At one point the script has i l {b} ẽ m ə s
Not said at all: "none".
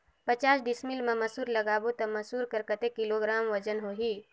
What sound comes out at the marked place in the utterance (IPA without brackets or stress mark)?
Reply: m